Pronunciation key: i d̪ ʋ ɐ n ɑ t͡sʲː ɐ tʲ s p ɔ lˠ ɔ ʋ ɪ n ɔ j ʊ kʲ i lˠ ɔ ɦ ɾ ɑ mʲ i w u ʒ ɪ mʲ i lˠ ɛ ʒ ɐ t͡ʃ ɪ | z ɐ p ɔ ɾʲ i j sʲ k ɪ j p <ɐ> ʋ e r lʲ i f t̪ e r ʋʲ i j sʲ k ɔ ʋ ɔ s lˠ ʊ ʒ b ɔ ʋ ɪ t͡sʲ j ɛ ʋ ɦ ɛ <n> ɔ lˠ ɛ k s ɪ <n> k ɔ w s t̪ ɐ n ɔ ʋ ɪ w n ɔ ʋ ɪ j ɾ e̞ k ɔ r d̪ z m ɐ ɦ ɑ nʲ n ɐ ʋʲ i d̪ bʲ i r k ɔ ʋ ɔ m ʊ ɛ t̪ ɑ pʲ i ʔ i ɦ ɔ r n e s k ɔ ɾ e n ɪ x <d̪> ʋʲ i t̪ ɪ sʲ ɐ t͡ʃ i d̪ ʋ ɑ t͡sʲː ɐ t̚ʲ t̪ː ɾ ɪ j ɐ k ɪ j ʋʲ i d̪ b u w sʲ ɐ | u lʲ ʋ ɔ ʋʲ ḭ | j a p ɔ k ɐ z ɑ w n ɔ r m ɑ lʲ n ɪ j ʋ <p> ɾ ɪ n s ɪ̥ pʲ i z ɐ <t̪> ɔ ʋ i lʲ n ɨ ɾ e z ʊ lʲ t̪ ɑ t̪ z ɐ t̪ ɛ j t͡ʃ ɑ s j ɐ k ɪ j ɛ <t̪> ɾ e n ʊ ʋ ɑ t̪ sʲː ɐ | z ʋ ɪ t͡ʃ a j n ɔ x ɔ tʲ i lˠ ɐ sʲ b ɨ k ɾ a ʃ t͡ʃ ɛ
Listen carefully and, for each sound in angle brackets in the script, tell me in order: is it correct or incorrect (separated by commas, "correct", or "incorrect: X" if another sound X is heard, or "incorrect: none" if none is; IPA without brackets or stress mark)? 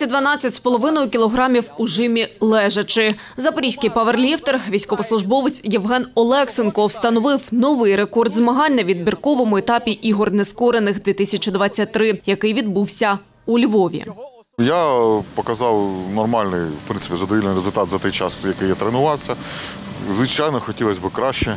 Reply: correct, correct, correct, correct, correct, incorrect: d̪, correct